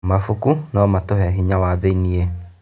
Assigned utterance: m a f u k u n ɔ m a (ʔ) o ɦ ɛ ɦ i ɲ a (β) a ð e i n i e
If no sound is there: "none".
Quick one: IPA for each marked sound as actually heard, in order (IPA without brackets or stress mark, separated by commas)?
t, w